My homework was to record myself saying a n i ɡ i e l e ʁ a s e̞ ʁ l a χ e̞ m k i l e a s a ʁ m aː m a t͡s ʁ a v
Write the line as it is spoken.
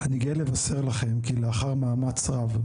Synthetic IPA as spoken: a n i ɡ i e l e v a s e̞ ʁ l a χ e̞ m k i l e a χ a ʁ m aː m a t͡s ʁ a v